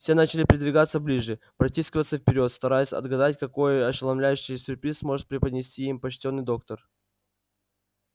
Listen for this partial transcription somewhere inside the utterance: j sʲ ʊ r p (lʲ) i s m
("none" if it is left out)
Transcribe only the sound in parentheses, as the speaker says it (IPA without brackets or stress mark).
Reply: ɾʲ